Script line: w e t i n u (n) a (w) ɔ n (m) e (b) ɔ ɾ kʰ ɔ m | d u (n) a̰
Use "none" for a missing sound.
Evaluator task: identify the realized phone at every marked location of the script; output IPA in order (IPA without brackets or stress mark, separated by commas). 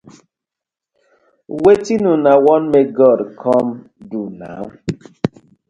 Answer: n, w, m, ɡ, n